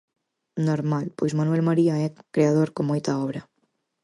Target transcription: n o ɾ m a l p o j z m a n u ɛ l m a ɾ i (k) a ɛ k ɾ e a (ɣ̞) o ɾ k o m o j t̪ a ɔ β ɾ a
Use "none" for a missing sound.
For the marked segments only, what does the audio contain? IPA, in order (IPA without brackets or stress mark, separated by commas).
none, ð̞